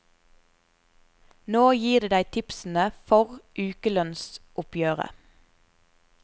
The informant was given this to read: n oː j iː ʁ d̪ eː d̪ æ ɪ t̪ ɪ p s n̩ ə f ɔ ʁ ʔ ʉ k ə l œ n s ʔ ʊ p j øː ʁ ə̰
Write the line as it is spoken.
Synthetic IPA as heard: n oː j iː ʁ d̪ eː d̪ æ ɪ t̪ʰ ɪ p s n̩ ə f ɔ ʁ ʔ ʉː k ə l œ n s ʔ ʊ p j øː ʁ ə̰